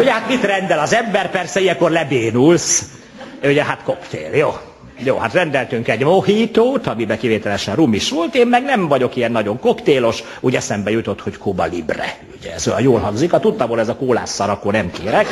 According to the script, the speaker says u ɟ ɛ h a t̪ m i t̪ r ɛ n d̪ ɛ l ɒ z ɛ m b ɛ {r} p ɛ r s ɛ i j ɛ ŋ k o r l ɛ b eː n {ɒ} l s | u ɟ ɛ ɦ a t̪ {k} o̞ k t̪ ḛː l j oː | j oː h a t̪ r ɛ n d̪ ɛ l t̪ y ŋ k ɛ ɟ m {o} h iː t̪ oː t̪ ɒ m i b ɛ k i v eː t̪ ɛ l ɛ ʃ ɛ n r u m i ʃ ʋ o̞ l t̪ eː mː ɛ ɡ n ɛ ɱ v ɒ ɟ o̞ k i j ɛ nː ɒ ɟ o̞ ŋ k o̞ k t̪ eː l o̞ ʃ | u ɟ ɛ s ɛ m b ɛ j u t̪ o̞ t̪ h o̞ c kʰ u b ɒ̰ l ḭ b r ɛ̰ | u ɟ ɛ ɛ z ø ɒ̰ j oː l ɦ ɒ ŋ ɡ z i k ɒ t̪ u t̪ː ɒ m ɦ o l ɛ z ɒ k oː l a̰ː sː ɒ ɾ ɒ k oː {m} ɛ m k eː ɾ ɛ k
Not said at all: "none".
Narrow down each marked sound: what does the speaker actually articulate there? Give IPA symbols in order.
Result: r, u, k, o, n

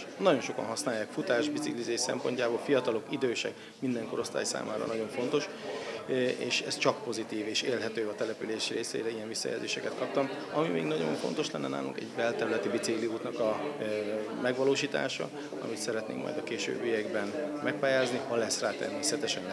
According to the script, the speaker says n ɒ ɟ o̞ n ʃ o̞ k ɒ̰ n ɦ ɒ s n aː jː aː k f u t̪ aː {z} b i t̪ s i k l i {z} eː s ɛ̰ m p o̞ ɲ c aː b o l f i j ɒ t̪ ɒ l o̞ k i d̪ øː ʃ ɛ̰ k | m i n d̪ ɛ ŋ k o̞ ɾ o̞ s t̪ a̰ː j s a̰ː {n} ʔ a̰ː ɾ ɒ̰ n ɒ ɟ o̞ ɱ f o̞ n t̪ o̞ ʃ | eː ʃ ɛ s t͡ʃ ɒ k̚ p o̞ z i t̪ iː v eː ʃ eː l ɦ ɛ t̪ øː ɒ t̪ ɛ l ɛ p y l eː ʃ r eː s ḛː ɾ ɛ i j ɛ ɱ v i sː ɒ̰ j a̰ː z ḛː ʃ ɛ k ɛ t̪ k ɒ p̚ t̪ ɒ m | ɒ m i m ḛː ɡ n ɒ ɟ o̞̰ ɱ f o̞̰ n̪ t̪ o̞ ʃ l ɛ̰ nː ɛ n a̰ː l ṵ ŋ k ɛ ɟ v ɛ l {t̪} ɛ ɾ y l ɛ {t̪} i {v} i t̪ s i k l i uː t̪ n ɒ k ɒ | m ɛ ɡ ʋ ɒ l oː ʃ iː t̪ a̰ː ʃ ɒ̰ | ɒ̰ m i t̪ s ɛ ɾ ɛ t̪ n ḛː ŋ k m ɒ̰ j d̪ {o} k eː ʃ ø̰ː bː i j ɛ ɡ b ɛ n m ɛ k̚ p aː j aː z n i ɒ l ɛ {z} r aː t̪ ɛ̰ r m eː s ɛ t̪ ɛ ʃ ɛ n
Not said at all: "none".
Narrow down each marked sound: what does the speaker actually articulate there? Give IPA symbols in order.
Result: ʒ, z, m, t̪, t̪, b, ɒ, s

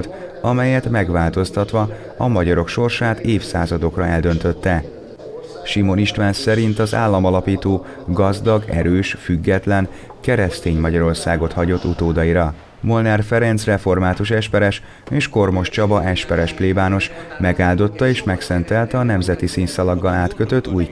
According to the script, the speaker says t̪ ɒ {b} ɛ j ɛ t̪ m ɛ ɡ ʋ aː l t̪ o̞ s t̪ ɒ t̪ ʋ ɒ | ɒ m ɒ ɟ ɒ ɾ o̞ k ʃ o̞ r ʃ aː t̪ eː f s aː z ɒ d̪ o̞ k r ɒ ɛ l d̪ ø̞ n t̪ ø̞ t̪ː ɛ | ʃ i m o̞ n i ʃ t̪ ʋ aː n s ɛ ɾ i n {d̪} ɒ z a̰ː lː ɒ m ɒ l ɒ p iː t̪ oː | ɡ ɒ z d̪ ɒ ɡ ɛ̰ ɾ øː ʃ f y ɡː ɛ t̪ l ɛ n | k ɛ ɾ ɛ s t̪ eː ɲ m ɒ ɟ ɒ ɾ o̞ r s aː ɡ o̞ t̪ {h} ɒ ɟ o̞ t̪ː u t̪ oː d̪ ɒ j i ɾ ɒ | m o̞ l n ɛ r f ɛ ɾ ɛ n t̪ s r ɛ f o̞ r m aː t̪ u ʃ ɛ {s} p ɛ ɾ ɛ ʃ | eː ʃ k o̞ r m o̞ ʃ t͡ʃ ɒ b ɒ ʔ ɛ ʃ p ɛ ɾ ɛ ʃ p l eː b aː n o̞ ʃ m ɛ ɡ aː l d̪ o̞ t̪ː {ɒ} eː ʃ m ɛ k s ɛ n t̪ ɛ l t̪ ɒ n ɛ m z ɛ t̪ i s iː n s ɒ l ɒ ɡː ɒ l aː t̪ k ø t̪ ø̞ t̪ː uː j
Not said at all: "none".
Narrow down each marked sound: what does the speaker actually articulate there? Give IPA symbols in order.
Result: m, t̪, h, ʃ, ɒ

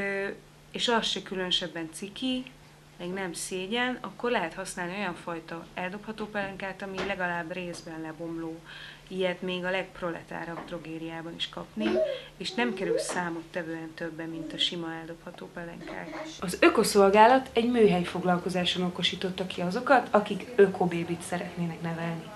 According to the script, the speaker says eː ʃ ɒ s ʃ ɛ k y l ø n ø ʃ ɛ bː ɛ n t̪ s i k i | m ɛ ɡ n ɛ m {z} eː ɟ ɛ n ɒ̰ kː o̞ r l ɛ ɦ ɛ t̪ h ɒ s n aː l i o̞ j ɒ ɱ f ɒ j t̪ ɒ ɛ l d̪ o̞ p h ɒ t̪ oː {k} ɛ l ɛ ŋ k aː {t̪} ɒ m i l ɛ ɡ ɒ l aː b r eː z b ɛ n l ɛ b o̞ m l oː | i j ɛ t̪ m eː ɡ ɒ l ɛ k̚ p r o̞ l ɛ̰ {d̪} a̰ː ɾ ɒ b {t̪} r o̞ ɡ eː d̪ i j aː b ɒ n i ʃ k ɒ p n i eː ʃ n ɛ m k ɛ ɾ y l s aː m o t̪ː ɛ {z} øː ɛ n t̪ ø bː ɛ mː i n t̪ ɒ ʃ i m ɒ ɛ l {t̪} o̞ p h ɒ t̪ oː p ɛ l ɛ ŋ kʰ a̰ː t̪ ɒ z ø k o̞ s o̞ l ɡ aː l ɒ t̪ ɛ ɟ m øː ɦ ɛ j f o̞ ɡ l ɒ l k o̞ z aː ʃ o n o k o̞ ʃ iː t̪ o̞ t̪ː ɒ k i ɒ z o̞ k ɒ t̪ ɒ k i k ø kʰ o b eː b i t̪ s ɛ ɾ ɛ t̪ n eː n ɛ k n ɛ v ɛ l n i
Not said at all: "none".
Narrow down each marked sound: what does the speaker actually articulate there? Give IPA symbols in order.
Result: s, p, t̪, t̪, t̪, v, d̪

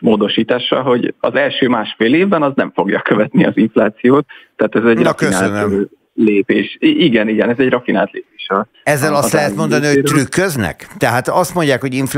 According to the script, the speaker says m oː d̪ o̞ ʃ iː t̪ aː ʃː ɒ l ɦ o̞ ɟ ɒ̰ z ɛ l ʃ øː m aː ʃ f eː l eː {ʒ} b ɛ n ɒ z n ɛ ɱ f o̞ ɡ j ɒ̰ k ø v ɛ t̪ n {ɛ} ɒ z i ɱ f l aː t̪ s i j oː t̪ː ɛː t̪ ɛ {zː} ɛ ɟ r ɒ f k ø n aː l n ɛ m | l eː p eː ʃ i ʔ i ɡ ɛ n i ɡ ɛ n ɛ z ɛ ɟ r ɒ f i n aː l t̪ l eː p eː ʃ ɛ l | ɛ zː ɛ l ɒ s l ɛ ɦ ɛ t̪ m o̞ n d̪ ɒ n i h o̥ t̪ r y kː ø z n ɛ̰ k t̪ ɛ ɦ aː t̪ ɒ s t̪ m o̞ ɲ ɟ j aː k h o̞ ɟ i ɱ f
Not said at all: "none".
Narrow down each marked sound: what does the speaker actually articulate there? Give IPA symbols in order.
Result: v, i, z

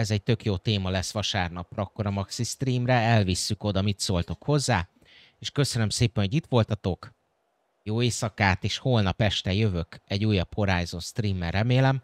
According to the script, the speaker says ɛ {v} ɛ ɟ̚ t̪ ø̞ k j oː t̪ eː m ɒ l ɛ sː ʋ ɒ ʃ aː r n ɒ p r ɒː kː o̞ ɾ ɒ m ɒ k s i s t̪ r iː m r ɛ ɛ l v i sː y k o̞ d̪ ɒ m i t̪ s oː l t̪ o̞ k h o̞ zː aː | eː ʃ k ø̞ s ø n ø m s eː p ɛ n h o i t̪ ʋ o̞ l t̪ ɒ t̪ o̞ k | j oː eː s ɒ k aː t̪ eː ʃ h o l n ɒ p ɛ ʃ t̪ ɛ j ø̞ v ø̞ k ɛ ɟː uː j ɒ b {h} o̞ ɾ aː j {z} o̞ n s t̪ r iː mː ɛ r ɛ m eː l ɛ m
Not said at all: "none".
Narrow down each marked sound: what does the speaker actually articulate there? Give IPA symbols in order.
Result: z, h, z

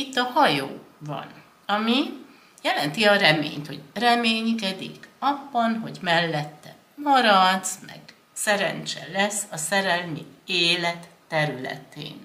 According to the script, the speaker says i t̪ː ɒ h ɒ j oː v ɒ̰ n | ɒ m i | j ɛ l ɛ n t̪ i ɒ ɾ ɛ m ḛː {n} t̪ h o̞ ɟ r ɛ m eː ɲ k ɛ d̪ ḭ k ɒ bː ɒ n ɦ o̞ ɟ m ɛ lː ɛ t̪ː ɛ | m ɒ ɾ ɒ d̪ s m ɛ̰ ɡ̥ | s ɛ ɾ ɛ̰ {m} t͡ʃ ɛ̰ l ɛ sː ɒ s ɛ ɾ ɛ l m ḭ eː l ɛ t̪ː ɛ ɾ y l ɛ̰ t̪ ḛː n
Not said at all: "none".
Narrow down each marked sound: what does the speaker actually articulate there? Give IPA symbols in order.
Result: ɲ, n

